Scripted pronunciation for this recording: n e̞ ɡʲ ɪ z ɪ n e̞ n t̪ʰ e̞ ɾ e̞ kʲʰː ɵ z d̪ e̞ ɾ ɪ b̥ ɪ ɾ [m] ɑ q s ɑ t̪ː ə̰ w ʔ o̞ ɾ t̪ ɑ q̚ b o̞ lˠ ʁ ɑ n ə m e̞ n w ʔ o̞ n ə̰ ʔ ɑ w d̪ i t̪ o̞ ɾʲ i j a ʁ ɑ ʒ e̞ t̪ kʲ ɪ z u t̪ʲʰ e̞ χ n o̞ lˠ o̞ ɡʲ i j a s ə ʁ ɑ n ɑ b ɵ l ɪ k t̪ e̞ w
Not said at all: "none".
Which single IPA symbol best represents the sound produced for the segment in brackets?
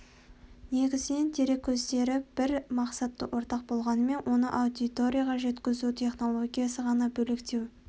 m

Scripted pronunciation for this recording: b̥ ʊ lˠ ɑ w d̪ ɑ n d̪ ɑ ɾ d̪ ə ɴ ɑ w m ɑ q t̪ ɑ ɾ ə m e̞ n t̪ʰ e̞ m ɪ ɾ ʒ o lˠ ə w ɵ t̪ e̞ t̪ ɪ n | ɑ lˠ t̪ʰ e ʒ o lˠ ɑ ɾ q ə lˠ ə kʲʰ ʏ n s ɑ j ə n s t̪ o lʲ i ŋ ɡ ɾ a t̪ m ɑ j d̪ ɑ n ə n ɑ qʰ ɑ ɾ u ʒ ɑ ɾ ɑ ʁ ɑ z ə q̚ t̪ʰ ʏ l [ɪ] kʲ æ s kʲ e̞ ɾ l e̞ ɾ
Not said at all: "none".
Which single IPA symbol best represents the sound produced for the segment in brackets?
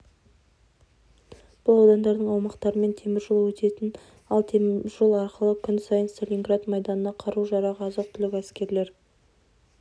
ɪ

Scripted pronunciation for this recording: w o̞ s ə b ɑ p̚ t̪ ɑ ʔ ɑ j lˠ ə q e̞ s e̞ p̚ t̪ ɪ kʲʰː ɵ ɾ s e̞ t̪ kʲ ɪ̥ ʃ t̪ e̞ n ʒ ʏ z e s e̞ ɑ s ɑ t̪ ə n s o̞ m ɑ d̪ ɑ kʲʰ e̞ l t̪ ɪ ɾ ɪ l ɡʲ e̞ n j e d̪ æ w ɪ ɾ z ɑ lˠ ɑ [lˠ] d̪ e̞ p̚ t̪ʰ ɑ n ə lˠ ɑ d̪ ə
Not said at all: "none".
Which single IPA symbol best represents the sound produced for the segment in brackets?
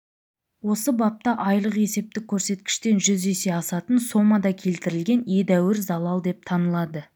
lˠ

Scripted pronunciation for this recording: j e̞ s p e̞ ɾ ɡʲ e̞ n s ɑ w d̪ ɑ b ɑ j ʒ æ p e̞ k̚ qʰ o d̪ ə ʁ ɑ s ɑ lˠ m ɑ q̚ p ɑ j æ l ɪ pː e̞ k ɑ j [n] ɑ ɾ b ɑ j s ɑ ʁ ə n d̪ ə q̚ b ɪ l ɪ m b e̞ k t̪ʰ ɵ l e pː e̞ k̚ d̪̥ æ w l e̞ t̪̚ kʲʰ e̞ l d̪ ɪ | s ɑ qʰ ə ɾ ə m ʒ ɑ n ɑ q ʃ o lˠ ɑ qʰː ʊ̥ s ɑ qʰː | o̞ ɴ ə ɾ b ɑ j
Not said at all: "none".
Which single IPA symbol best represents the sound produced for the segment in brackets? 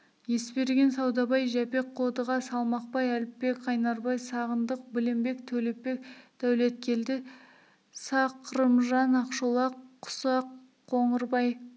n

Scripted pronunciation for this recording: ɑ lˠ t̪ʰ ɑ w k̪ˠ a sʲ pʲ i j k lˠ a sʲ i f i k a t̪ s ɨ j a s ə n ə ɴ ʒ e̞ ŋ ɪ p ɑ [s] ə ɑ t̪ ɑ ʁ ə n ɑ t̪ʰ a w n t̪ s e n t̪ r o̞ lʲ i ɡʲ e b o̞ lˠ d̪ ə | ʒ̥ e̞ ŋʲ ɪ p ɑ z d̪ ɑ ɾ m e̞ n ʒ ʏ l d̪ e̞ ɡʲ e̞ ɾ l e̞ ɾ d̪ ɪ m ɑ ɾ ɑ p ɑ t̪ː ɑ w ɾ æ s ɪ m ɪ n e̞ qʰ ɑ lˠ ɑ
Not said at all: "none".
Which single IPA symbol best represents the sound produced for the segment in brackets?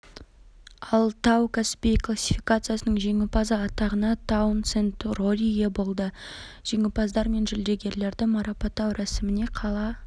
z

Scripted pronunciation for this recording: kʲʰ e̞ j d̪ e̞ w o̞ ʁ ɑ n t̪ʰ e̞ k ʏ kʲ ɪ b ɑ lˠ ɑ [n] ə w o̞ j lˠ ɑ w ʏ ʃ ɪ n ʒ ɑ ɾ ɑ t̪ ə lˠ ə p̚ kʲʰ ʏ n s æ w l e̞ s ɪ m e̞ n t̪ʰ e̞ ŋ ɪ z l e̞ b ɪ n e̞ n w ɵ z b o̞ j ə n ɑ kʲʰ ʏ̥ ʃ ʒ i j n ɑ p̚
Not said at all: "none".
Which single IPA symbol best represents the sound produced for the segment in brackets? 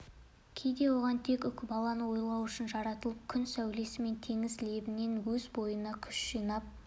n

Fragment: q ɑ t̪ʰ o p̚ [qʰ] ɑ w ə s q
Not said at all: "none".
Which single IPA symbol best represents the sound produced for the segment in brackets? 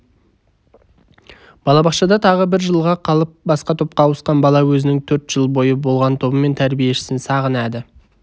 q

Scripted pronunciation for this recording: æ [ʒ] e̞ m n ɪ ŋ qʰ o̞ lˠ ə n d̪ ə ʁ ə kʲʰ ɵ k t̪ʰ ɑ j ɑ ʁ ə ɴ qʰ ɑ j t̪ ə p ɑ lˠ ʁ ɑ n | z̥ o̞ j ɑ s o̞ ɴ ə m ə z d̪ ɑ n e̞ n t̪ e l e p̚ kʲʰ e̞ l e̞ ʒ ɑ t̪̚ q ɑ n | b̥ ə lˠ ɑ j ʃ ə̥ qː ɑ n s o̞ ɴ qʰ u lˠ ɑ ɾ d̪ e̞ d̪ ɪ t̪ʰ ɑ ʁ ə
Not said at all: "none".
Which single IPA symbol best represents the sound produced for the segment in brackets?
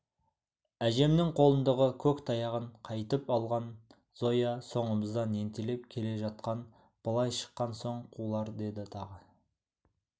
ʒ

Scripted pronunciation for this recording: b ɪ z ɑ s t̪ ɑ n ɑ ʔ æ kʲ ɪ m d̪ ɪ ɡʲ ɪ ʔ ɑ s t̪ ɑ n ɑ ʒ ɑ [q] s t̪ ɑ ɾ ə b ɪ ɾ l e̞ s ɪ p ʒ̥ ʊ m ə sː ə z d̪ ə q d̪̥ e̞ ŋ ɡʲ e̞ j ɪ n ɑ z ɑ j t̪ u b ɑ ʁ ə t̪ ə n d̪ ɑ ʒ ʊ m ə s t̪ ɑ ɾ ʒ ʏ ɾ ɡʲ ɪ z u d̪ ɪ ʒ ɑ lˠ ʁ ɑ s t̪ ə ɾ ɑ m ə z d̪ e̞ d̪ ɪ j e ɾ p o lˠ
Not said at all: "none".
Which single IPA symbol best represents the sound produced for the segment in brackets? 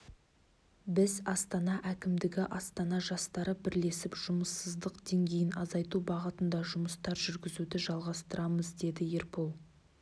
none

